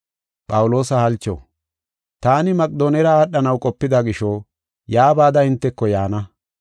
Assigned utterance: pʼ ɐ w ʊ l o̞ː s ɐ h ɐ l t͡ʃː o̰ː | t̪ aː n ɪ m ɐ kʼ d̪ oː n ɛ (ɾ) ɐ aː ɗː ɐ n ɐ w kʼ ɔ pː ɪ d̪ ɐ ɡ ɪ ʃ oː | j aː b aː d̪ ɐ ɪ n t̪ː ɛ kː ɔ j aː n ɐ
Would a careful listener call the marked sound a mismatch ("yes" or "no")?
no